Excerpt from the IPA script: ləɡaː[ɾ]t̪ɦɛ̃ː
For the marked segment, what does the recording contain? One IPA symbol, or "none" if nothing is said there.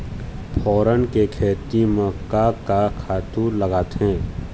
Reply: none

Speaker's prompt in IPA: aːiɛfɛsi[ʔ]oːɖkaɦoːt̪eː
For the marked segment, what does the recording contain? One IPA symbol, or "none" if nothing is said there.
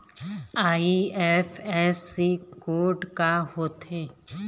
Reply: k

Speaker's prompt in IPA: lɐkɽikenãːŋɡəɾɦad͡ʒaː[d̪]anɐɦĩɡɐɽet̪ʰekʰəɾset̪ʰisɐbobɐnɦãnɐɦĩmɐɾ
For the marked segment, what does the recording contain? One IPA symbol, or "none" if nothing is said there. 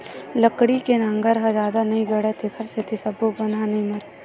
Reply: d̪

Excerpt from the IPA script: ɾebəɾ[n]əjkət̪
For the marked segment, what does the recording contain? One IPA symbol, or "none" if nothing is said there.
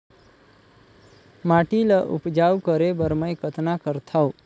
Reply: m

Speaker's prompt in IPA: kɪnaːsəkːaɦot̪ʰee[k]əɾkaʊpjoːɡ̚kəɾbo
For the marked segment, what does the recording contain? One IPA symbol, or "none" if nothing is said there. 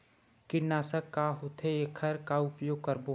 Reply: kʰ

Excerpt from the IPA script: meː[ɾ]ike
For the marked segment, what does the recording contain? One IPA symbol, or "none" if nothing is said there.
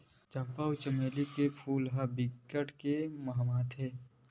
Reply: l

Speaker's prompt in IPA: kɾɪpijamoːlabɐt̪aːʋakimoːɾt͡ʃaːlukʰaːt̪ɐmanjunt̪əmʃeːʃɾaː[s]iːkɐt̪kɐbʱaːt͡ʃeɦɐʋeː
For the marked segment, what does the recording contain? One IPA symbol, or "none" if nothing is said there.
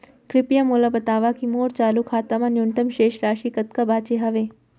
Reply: ʃ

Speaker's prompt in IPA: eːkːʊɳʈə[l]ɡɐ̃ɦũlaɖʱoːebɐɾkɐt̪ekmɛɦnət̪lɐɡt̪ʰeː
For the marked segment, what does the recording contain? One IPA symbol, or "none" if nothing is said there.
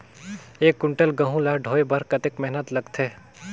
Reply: l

